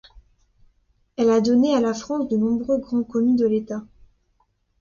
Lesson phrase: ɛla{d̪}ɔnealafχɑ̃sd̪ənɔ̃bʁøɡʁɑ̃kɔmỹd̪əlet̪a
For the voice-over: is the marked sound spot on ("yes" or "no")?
yes